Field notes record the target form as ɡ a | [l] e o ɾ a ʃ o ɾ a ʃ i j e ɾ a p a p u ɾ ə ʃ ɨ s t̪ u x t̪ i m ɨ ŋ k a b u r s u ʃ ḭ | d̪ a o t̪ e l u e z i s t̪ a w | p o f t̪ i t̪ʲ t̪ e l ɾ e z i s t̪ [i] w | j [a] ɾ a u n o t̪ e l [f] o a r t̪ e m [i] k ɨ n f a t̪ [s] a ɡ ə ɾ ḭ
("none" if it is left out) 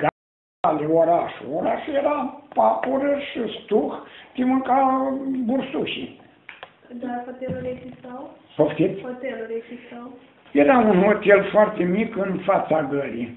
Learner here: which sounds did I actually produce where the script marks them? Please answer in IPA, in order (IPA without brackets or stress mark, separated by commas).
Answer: l, a, e, f, i, s